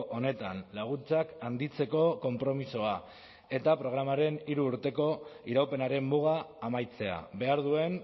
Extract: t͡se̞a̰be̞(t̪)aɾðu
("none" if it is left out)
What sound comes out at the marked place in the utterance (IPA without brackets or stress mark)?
none